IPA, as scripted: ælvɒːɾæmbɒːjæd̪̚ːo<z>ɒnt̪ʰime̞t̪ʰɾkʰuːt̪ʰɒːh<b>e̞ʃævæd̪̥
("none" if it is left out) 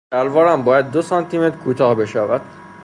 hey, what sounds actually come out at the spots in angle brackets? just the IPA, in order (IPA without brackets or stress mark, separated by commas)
s, b